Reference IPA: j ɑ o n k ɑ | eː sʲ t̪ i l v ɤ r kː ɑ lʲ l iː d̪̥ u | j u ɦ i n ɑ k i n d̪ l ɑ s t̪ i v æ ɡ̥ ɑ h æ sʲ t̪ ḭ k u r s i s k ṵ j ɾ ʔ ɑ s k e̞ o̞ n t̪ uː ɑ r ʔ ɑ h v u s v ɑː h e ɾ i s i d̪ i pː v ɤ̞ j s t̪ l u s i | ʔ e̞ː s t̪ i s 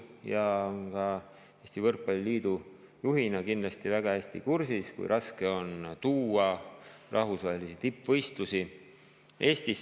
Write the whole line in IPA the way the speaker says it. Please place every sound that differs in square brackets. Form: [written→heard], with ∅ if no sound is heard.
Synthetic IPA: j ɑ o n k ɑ | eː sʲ t̪ i [l→∅] v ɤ r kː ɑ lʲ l iː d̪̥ u | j u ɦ i n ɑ k i n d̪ l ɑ s t̪ i v æ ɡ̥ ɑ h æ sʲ t̪ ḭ k u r s i s k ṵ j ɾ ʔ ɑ s k e̞ o̞ n t̪ uː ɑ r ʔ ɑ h v u s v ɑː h e [ɾ→l] i s i [d̪→t̪] i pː v ɤ̞ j s t̪ l u s i | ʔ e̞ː s t̪ i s

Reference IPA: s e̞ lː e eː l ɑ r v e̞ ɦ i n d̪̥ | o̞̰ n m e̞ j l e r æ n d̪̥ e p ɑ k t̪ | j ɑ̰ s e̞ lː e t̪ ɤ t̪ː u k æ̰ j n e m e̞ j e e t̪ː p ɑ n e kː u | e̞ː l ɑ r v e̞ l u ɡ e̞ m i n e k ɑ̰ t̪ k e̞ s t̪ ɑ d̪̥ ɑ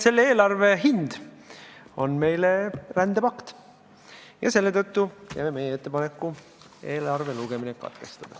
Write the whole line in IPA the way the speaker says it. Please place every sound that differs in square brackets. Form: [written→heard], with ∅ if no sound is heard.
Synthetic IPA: s e̞ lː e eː l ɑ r v e̞ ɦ i n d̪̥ | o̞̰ n m e̞ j l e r æ n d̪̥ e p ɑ k t̪ | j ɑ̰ s e̞ lː e t̪ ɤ t̪ː u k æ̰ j [n→m] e m e̞ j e e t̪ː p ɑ n e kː u | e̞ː l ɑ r v e̞ l u ɡ e̞ m i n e k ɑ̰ t̪ k e̞ s t̪ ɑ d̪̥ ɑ

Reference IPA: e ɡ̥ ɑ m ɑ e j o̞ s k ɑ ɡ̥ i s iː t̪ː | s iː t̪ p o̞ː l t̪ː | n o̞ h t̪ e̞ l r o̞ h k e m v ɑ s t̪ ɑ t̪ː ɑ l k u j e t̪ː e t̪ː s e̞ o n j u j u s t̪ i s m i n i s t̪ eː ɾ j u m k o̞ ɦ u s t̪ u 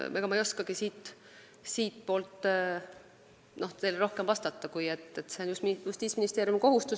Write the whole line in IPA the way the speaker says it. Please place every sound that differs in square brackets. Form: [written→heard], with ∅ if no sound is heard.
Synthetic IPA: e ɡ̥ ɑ m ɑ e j o̞ s k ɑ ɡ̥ i s iː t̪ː | s iː t̪ p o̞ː l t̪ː | n o̞ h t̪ e̞ l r o̞ h k e m v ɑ s t̪ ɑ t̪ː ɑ [l→∅] k u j e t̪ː e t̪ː s e̞ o n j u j u s t̪ [i→iː] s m i n i s t̪ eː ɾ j u m k o̞ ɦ u s t̪ u

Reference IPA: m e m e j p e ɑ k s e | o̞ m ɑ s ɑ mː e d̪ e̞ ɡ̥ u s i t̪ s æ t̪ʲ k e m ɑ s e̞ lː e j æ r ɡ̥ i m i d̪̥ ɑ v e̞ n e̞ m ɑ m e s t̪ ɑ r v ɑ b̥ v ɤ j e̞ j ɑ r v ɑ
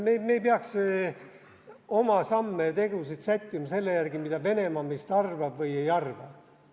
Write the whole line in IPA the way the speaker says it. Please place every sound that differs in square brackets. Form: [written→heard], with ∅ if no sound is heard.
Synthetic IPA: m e m e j p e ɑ k s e | o̞ m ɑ s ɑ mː e [d̪→t̪] e̞ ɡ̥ u s i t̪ s æ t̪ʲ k [e→i] m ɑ s e̞ lː e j æ r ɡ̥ i m i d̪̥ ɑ v e̞ n e̞ m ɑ m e s t̪ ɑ r v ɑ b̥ v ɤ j e̞ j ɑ r v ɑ

